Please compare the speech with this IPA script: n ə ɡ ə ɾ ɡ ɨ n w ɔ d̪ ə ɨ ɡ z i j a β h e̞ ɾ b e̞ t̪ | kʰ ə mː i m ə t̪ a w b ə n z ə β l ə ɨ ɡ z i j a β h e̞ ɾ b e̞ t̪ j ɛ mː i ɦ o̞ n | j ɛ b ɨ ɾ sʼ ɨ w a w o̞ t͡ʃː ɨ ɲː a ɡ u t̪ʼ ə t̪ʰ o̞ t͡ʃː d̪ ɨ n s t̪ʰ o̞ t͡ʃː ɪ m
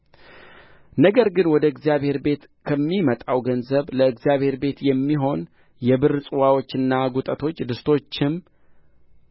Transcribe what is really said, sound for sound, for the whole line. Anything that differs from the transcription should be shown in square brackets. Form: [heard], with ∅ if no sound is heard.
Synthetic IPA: n ə ɡ ə ɾ ɡ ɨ n w ɔ d̪ ə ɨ ɡ z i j a β h e̞ ɾ b e̞ t̪ | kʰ ə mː i m ə [t̪ʼ] a w [ɡ] ə n z ə β l ə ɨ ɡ z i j a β h e̞ ɾ b e̞ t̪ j ɛ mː i ɦ o̞ n | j ɛ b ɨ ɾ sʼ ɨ w a w o̞ t͡ʃː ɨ [nː] a ɡ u t̪ʼ ə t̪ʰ o̞ t͡ʃː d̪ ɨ [∅] s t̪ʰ o̞ t͡ʃː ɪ m